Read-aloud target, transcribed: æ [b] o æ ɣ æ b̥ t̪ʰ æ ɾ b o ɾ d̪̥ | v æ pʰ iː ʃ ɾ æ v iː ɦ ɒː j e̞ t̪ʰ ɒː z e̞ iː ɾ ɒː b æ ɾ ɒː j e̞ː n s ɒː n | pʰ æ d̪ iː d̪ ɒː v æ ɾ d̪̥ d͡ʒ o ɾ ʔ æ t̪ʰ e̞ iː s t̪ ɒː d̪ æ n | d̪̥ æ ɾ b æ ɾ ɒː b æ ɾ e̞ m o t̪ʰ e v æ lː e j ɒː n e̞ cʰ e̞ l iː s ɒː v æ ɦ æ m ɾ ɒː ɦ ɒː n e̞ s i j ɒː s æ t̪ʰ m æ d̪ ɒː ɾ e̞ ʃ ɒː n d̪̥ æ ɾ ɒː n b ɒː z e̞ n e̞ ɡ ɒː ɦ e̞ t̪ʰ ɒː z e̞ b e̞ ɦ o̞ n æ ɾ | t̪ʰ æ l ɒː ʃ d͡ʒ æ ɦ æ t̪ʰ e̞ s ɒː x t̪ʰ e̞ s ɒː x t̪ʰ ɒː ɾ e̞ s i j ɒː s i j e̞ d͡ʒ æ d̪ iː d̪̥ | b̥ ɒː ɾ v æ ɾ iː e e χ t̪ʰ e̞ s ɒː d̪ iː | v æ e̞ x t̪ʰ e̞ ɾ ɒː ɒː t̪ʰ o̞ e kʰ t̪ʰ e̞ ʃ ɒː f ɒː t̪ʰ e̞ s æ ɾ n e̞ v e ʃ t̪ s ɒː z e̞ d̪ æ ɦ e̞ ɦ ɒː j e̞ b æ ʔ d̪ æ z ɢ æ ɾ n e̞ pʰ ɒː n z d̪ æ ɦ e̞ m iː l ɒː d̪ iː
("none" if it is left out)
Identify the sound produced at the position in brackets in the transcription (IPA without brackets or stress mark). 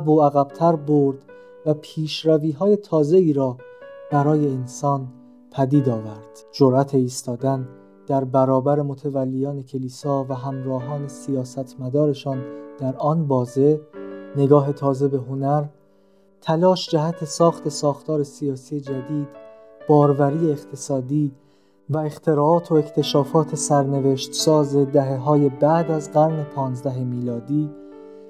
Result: b